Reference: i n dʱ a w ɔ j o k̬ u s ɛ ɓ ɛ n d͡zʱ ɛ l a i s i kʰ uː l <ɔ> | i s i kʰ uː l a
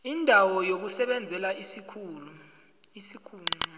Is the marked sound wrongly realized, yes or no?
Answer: yes